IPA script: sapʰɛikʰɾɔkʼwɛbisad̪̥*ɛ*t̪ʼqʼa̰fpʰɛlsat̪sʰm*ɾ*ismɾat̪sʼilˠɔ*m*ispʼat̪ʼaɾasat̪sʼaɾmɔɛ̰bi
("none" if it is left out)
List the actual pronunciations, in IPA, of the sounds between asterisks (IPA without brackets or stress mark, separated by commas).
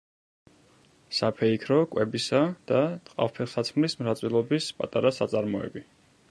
a, l, b